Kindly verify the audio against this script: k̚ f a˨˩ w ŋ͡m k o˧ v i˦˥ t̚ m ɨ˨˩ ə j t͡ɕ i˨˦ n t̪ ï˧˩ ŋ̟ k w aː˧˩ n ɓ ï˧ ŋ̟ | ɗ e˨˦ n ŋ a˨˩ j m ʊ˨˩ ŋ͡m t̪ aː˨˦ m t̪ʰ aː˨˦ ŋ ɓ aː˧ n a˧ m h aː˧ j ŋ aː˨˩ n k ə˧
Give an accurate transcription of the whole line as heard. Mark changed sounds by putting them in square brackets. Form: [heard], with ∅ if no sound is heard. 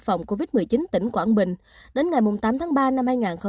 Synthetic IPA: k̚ f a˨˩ w ŋ͡m k o˧ v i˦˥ t̚ m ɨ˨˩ ə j t͡ɕ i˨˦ n t̪ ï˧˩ ŋ̟ k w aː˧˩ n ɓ [ï˨˩] ŋ̟ | ɗ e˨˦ n ŋ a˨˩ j m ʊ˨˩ ŋ͡m t̪ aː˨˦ m t̪ʰ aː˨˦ ŋ ɓ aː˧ n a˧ m h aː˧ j ŋ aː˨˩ n [x] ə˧